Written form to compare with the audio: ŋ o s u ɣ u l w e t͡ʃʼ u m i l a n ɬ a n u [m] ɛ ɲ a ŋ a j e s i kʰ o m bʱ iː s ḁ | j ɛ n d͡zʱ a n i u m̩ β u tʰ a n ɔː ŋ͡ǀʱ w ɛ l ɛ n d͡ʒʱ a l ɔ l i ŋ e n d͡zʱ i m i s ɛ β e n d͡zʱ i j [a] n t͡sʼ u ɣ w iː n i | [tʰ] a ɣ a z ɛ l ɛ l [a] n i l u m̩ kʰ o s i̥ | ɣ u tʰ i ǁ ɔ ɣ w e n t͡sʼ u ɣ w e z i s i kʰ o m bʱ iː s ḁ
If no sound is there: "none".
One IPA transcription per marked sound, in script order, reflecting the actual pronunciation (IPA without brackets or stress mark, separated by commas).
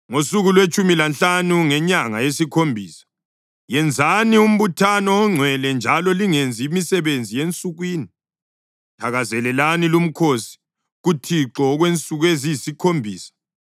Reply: ŋ, e, tʰ, a